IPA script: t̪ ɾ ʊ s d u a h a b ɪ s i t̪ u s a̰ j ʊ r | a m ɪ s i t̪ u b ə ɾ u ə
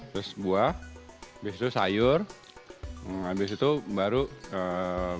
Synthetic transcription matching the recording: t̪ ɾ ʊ s b u a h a b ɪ s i t̪ u s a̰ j ʊ r | a b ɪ s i t̪ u b a ɾ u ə